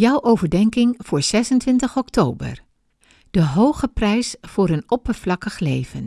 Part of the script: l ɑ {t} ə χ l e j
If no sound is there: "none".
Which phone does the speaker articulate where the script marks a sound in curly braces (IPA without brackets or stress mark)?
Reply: k